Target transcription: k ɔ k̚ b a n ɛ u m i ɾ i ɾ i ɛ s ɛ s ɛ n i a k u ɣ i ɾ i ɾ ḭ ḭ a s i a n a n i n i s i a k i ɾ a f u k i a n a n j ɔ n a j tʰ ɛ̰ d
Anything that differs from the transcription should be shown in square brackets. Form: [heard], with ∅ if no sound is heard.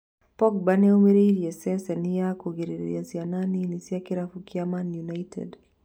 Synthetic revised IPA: [p] ɔ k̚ b a n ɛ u m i ɾ i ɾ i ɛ s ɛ s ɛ n i a k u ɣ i ɾ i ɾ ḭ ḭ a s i a n a n i n i s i a k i ɾ a f u k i a [m] a n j [u] n a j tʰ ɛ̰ d